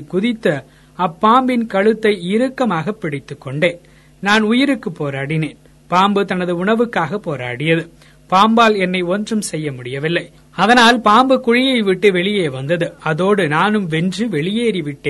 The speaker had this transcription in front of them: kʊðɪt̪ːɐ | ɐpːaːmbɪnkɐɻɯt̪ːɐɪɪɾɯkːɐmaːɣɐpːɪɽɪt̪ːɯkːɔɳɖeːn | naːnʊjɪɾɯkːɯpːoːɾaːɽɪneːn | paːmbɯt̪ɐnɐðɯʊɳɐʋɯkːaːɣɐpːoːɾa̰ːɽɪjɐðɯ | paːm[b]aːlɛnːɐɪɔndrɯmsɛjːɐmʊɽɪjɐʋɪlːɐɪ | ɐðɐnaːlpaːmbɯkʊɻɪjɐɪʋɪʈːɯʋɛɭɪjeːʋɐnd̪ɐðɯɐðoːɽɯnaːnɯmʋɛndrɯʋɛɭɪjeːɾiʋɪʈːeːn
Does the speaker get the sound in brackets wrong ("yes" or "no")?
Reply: no